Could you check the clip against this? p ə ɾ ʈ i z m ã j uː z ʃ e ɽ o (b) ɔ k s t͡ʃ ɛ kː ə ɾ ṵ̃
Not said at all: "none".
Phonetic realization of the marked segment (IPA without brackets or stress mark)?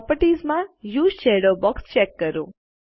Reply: b